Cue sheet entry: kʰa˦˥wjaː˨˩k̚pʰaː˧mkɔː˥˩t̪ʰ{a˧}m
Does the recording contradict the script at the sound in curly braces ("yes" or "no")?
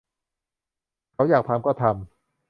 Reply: no